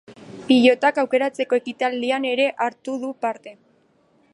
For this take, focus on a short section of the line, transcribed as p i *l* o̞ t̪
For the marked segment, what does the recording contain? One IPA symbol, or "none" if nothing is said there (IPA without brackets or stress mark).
ʎ